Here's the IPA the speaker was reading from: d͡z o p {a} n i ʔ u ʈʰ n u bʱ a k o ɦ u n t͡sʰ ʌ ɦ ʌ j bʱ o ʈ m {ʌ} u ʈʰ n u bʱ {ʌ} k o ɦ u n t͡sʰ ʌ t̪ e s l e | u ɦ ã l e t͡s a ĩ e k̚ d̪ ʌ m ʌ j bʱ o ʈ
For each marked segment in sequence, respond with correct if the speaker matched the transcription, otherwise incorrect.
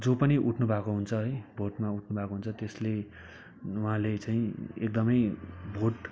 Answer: incorrect: ʌ, incorrect: a, incorrect: a

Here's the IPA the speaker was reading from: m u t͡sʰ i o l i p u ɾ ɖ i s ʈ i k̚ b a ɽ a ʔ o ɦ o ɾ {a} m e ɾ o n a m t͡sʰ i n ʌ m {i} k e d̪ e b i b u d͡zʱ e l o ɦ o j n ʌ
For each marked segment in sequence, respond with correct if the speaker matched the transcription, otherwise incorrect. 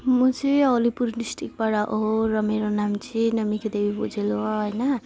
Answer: incorrect: ʌ, correct

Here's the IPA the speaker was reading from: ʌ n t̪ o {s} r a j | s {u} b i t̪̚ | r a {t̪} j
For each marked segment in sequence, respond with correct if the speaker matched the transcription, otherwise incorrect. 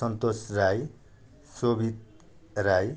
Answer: correct, incorrect: o, incorrect: none

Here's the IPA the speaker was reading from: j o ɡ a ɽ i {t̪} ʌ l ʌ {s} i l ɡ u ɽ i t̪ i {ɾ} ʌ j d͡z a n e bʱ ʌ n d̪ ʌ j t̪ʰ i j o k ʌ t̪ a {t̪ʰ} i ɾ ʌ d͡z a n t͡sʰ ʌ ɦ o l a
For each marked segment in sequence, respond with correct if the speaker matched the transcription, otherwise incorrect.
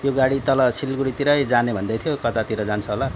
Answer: correct, correct, correct, incorrect: t̪

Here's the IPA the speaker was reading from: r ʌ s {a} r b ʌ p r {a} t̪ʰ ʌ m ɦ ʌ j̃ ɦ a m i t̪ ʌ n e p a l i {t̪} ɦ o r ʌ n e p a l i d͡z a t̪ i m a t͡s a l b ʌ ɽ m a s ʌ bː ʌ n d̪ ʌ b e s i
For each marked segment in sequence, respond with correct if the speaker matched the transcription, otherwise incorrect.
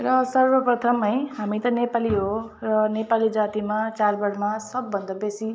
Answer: incorrect: ʌ, incorrect: ʌ, incorrect: none

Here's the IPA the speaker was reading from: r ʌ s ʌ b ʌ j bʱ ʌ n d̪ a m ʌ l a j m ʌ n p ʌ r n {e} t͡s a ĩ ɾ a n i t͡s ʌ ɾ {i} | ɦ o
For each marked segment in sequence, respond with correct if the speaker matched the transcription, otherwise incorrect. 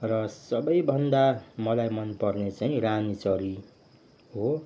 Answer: correct, correct

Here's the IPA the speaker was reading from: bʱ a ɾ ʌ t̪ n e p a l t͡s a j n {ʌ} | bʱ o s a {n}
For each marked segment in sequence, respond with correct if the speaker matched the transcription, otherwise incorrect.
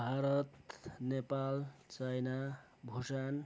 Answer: incorrect: a, correct

